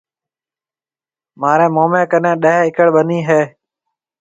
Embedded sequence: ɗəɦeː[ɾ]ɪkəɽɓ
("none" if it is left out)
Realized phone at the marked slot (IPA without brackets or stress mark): none